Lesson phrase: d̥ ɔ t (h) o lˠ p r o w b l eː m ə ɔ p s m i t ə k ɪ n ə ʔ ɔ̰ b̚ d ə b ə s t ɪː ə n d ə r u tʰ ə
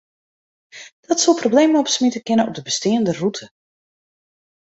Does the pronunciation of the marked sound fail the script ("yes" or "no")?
yes